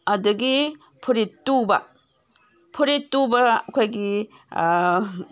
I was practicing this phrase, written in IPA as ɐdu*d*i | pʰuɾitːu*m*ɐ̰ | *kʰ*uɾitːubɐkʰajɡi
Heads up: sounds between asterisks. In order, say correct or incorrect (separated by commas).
incorrect, incorrect, incorrect